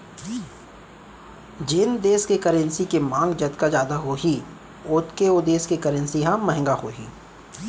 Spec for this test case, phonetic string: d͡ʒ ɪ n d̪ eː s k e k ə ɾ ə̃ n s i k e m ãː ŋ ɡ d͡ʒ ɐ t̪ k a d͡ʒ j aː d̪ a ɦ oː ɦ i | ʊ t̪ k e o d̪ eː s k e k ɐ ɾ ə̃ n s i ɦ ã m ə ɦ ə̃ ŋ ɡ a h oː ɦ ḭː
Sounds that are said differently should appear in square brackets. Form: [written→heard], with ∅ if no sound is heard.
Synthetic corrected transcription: d͡ʒ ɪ n d̪ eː s k e k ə ɾ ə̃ n s i k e m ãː ŋ ɡ d͡ʒ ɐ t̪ k a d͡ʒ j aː d̪ a ɦ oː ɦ i | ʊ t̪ k e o d̪ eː s k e k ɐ ɾ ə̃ n s i ɦ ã m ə ɦ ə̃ ŋ ɡ a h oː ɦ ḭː

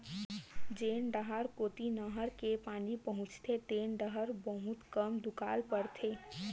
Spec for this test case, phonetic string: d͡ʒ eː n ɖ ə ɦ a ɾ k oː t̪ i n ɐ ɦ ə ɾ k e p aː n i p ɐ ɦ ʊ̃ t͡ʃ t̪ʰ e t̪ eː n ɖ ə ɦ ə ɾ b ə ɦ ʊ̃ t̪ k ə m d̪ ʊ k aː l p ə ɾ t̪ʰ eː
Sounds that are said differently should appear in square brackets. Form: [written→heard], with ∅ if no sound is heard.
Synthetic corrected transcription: d͡ʒ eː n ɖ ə ɦ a ɾ k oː t̪ i n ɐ ɦ ə ɾ k e p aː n i p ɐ ɦ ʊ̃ t͡ʃ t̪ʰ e t̪ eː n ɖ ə ɦ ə ɾ b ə ɦ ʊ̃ t̪ k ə m d̪ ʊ k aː l p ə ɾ t̪ʰ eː

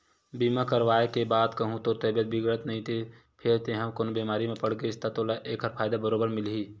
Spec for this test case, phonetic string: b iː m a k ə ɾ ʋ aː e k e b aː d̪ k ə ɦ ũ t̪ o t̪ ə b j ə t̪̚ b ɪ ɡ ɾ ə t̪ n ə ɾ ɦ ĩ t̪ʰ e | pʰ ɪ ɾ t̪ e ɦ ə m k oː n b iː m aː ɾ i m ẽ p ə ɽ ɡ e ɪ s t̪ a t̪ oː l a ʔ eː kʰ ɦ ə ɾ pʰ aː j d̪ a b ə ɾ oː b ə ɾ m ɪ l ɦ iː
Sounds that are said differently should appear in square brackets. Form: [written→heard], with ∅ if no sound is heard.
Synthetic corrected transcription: b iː m a k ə ɾ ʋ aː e k e b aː d̪ k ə ɦ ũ t̪ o t̪ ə b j ə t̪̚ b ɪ ɡ ɾ ə t̪ n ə [ɾ→∅] ɦ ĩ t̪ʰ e | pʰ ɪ ɾ t̪ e ɦ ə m k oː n b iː m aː ɾ i m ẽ p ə ɽ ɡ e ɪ s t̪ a t̪ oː l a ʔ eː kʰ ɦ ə ɾ pʰ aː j d̪ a b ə ɾ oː b ə ɾ m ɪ l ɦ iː

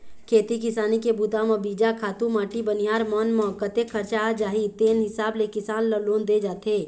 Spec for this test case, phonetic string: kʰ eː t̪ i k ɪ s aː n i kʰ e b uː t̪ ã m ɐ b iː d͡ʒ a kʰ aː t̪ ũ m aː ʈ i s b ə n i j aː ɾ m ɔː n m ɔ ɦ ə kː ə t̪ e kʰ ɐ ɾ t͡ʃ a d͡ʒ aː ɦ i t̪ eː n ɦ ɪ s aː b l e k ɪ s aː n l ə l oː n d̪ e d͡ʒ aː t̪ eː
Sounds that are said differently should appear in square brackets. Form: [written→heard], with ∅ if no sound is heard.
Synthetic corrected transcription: kʰ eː t̪ i k ɪ s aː n i [kʰ→k] e b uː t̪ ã m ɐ b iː d͡ʒ a kʰ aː t̪ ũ m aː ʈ i [s→∅] b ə n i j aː ɾ m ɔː n m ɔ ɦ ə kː ə t̪ e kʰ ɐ ɾ t͡ʃ a d͡ʒ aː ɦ i t̪ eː n ɦ ɪ s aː b l e k ɪ s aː n l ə l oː n d̪ e d͡ʒ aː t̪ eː

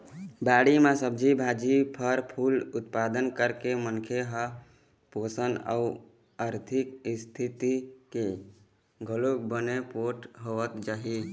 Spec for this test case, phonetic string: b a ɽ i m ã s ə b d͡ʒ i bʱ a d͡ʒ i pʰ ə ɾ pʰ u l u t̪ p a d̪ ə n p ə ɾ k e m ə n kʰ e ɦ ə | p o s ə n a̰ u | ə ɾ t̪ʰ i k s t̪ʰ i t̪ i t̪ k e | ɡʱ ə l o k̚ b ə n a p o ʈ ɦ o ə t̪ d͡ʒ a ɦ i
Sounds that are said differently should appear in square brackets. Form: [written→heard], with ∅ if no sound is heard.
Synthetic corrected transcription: b a ɽ i m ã s ə b d͡ʒ i bʱ a d͡ʒ i pʰ ə ɾ pʰ u l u t̪ p a d̪ ə n [p→k] ə ɾ k e m ə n kʰ e ɦ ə | p o s ə n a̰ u | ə ɾ t̪ʰ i k s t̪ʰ i t̪ i [t̪→∅] k e | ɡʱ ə l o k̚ b ə n [a→e] p o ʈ ɦ o ə t̪ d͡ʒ a ɦ i

